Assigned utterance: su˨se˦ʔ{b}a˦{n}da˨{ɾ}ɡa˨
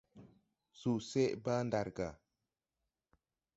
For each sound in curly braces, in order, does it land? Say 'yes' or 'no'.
yes, yes, yes

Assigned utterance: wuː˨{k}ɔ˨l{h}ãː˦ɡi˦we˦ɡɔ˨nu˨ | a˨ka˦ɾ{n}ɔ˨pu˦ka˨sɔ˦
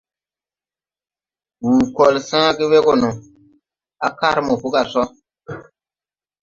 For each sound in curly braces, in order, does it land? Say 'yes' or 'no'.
yes, no, no

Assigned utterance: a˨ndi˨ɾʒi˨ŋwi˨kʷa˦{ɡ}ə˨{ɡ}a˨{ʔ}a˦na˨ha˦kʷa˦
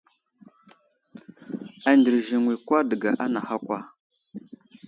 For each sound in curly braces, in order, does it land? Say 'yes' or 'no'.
no, yes, yes

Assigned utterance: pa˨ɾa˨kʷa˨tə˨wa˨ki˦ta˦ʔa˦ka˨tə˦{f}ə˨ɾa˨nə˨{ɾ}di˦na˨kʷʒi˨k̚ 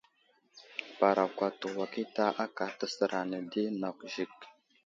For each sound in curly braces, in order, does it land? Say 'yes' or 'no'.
no, no

